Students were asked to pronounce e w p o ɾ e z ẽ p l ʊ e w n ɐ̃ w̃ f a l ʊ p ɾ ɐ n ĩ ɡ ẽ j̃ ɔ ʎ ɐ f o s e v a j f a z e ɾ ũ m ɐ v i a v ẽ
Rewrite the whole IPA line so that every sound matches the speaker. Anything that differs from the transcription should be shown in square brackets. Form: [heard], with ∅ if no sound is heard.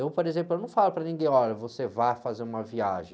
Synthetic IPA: e w p o ɾ e z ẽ p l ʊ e w n ɐ̃ w̃ f a l ʊ p ɾ ɐ n ĩ ɡ ẽ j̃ ɔ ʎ ɐ [v] o s e v a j f a z e ɾ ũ m ɐ v i a [ʒ] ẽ

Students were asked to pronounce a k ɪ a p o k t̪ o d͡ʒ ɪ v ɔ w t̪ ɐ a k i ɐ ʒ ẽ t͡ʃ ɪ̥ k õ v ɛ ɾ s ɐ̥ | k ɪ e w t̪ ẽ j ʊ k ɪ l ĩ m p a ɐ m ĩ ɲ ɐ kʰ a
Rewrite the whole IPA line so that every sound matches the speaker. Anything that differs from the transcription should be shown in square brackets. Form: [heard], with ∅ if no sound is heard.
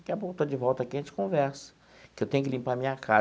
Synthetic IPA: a k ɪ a p o k t̪ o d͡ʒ ɪ v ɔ w t̪ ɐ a k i ɐ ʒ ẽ t͡ʃ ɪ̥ k õ v ɛ ɾ s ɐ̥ | k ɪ e w t̪ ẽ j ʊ k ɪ l ĩ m p a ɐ m ĩ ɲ ɐ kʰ a

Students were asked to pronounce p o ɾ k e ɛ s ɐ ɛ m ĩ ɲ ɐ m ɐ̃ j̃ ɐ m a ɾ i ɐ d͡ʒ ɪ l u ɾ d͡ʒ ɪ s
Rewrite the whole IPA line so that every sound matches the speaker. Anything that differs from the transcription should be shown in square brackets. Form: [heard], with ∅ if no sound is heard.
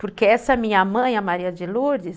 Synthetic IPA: p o ɾ k e ɛ s ɐ ɛ m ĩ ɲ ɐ m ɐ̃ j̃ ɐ m a ɾ i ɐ d͡ʒ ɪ l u ɾ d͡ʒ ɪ s

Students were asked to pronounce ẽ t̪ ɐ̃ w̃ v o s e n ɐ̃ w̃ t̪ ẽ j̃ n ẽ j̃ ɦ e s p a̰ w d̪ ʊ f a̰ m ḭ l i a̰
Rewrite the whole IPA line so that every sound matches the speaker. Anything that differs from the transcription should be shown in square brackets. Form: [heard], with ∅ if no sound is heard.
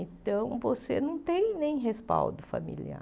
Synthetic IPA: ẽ t̪ ɐ̃ w̃ v o s e n ɐ̃ w̃ t̪ ẽ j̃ n ẽ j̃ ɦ e s p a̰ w d̪ ʊ f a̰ m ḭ l i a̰

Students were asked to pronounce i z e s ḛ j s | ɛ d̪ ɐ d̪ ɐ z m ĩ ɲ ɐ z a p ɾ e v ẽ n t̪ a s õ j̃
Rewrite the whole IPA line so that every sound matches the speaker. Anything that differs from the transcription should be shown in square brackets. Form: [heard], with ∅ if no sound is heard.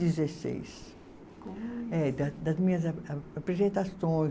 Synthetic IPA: i z e s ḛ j s | ɛ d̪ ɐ d̪ ɐ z m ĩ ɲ ɐ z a p ɾ e [z] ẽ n t̪ a s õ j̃

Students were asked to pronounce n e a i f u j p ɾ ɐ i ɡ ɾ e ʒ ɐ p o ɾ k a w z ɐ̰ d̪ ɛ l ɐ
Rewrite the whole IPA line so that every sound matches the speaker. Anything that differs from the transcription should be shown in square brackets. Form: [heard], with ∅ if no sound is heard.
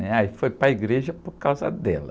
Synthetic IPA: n [ɛ] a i f [o] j p ɾ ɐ i ɡ ɾ e ʒ ɐ p o ɾ k a w z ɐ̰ d̪ ɛ l ɐ

